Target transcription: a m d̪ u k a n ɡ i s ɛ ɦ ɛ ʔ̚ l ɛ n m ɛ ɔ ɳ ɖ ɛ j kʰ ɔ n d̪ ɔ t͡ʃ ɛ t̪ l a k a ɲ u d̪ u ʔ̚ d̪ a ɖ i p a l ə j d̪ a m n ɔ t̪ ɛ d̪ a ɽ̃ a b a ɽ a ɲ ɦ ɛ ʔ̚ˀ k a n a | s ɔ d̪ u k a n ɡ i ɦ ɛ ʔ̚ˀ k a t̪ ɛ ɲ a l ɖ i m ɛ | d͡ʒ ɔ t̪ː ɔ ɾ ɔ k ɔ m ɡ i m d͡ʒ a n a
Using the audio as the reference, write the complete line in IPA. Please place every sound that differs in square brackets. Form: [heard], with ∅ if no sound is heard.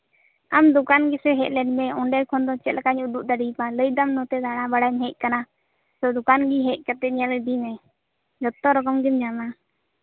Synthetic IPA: a m d̪ u k a n ɡ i s ɛ ɦ ɛ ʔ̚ l ɛ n m ɛ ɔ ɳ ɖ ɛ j kʰ ɔ n d̪ ɔ t͡ʃ ɛ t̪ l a k a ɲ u d̪ u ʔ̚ d̪ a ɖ i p a l ə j d̪ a m n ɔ t̪ ɛ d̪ a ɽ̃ a b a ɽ a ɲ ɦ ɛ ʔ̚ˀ k a n a | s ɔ d̪ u k a n ɡ i ɦ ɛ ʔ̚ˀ k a t̪ ɛ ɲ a l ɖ i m ɛ | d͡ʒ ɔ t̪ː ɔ ɾ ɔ k ɔ m ɡ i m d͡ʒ a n a

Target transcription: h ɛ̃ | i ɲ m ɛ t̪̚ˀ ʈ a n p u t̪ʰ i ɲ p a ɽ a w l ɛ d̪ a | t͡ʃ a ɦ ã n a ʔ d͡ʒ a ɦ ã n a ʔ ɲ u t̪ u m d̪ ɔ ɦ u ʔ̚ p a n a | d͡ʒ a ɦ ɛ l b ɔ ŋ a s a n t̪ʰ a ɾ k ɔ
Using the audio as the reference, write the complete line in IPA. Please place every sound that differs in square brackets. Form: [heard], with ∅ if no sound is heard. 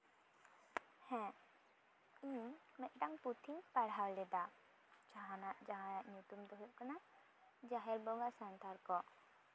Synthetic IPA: h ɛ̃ | i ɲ m ɛ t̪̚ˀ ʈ a [ŋ] p u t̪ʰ i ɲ p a ɽ a w l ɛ d̪ a | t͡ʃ a ɦ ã n a ʔ d͡ʒ a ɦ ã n a ʔ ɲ u t̪ u m d̪ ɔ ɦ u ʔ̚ [k] a n a | d͡ʒ a ɦ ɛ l b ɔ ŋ a s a n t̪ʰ a ɾ k ɔ

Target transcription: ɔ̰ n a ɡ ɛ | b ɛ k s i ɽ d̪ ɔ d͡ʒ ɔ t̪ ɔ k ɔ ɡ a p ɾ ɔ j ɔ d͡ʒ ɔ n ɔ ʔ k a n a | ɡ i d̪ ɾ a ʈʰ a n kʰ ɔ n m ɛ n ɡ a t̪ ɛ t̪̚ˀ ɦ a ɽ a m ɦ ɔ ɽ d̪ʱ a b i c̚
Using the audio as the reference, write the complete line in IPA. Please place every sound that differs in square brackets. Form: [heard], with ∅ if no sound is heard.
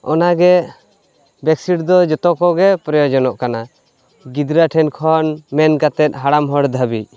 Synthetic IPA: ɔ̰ n a ɡ ɛ | b ɛ k s i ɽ d̪ ɔ d͡ʒ ɔ t̪ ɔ k ɔ ɡ [ɛ] p ɾ ɔ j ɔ d͡ʒ ɔ n ɔ ʔ k a n a | ɡ i d̪ ɾ a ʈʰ [ɛ] n kʰ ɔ n m ɛ n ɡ a t̪ ɛ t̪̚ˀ ɦ a ɽ a m ɦ ɔ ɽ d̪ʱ a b i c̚

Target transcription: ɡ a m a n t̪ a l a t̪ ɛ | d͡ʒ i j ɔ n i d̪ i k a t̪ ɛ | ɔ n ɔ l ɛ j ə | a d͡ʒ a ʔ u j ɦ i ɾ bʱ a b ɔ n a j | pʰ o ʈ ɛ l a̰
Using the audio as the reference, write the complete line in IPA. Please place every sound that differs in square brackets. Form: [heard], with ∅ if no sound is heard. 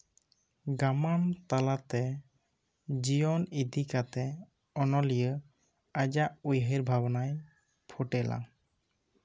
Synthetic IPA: ɡ a m a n t̪ a l a t̪ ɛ | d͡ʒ i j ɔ n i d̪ i k a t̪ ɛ | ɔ n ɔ l [i] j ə | a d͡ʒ a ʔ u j ɦ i ɾ bʱ a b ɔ n a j | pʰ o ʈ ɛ l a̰

